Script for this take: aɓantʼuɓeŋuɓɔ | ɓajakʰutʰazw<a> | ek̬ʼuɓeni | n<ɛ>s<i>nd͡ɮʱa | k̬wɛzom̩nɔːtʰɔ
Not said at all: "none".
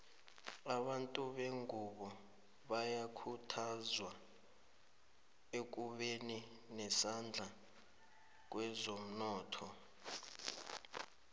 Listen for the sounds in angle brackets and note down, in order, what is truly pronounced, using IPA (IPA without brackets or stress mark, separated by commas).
a, ɛ, a